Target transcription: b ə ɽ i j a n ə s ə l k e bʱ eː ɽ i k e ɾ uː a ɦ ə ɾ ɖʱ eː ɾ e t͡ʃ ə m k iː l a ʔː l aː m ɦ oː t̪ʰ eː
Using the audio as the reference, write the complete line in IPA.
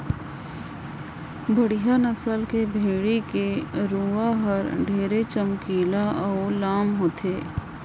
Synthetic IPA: b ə ɽ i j a n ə s ə l k e bʱ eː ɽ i k e ɾ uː a ɦ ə ɾ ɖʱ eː ɾ e t͡ʃ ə m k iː l a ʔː l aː m ɦ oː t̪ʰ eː